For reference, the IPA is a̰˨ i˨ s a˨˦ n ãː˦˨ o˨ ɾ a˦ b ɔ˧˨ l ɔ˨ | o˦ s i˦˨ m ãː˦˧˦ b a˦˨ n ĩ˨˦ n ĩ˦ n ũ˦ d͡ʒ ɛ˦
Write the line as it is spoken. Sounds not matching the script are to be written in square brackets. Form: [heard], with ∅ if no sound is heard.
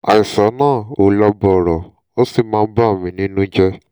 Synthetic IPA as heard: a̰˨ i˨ s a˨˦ n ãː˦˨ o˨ [l] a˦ b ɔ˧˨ [ɾ] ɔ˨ | o˦ s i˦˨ m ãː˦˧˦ b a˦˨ [m] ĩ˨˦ n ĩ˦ n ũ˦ d͡ʒ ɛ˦